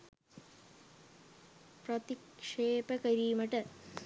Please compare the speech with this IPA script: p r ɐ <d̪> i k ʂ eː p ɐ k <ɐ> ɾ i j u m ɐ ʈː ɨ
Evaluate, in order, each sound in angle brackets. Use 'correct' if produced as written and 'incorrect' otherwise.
incorrect, correct

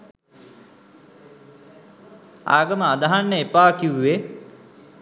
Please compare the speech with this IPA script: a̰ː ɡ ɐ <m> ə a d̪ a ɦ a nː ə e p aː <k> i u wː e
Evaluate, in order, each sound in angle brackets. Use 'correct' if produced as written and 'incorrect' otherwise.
correct, correct

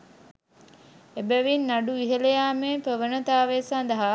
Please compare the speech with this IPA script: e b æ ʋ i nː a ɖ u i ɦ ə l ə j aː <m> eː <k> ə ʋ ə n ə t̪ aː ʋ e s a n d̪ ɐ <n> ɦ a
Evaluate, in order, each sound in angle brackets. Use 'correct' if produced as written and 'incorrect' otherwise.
correct, incorrect, incorrect

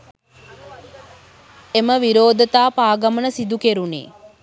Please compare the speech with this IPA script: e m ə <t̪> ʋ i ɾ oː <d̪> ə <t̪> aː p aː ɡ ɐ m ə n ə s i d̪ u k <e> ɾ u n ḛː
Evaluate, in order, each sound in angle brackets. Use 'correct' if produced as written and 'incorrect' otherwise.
incorrect, correct, correct, correct

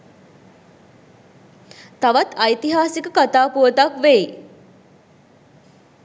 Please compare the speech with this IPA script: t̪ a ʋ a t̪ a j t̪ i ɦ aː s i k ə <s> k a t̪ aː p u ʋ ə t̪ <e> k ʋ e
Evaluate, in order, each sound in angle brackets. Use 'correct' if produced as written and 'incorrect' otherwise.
incorrect, incorrect

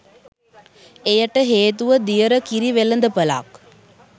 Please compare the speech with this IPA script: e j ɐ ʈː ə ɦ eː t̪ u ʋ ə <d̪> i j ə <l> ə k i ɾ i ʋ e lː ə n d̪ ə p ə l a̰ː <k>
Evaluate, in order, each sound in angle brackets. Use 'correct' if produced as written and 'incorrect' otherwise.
correct, incorrect, correct

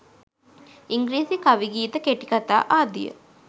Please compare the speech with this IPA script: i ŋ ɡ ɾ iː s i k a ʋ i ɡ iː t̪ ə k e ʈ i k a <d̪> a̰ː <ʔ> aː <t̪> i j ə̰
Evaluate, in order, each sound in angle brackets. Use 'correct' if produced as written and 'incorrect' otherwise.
incorrect, correct, incorrect

